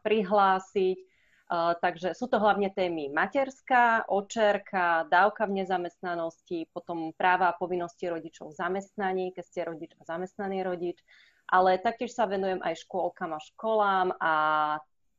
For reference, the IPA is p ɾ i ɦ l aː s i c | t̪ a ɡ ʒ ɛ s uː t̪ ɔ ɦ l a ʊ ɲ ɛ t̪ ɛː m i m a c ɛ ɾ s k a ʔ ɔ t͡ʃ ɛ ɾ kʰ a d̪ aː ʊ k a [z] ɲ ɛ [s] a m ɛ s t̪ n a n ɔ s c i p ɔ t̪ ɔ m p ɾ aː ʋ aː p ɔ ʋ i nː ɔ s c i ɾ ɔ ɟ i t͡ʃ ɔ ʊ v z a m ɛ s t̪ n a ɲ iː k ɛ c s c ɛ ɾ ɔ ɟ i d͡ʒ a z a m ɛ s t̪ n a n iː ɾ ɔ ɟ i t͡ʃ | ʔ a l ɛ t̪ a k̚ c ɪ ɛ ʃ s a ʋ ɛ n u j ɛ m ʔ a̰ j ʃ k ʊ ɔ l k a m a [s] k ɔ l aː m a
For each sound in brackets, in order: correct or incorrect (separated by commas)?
incorrect, incorrect, incorrect